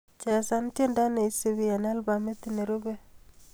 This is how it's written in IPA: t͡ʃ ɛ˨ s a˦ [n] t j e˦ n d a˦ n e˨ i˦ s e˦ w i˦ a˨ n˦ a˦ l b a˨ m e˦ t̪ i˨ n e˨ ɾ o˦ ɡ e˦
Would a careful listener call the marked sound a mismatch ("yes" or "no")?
no